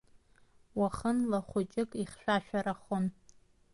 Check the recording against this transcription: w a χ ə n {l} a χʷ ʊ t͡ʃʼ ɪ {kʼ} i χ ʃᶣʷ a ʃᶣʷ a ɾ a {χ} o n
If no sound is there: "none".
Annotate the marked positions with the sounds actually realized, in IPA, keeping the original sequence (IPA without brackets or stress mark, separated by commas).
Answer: l, kʼ, χ